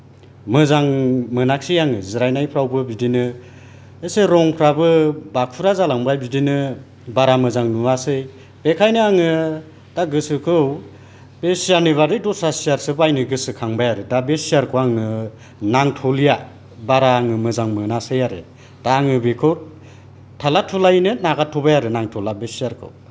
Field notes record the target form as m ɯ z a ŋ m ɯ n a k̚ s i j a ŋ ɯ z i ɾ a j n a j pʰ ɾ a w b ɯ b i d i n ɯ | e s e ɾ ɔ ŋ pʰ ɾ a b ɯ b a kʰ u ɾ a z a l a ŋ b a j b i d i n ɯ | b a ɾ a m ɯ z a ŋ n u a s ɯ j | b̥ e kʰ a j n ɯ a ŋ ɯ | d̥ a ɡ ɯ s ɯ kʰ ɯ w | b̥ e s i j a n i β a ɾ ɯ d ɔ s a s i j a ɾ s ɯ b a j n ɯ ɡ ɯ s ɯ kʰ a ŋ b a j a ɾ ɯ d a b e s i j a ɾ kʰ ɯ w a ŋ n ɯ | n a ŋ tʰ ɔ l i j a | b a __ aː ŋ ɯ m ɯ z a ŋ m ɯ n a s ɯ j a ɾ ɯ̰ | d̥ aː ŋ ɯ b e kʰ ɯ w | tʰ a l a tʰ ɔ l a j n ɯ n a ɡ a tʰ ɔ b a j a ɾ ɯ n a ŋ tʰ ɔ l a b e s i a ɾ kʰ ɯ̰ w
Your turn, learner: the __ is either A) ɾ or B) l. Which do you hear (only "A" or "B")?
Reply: A